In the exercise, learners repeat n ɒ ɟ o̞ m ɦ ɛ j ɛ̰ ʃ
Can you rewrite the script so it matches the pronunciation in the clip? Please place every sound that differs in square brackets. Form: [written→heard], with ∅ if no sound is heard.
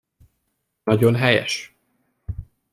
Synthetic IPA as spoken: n ɒ ɟ o̞ [m→n] ɦ ɛ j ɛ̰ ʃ